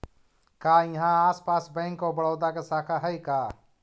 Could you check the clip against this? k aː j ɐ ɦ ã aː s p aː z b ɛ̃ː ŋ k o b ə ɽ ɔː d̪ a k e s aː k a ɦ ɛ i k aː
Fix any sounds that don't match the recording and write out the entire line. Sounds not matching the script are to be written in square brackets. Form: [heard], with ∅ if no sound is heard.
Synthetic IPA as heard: k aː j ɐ ɦ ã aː s p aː [s] b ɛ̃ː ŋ k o b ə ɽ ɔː d̪ a k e s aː [kʰ] a ɦ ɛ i k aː